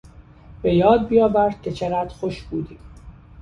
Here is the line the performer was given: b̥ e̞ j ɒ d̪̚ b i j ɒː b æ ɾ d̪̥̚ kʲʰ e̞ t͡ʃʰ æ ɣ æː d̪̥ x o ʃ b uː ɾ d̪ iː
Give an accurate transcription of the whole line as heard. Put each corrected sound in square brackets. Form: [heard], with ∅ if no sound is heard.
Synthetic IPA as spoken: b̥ e̞ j [ɒː] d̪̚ b i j ɒː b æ ɾ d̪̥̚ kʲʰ e̞ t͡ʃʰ [e] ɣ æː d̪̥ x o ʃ b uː [∅] d̪ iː